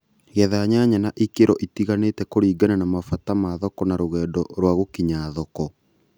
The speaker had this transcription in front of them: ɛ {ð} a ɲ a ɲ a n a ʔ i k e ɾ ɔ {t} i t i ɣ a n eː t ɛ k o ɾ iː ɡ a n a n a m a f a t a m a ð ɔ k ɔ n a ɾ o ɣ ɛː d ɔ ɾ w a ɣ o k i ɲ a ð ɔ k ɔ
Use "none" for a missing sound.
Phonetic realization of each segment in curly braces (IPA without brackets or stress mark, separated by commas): ð, ʔ